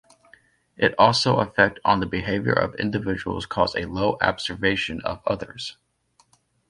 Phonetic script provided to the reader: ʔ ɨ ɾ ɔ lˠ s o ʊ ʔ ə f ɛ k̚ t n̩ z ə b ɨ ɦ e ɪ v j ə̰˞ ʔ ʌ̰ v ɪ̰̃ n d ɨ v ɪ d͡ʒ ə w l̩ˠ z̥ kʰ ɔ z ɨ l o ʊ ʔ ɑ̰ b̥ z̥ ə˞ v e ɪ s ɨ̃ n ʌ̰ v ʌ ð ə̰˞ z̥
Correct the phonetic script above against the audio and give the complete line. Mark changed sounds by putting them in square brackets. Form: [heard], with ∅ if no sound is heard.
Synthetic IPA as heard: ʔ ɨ ɾ ɔ lˠ s o ʊ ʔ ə f ɛ k̚ t n̩ [ð] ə b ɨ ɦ e ɪ v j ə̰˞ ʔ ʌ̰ v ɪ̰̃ n d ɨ v ɪ d͡ʒ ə w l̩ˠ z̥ kʰ ɔ z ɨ l o ʊ ʔ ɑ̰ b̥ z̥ ə˞ v e ɪ [ʃ] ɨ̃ n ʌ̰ v ʌ ð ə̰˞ z̥